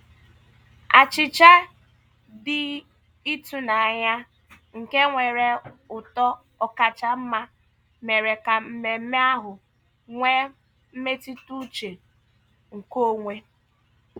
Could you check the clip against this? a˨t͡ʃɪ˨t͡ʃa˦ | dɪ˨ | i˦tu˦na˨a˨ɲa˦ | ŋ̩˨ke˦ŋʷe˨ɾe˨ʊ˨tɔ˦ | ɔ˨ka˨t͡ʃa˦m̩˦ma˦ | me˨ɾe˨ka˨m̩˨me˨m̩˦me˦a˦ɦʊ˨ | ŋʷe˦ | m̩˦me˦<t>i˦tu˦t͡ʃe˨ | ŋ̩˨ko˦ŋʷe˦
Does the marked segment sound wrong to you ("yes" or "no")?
no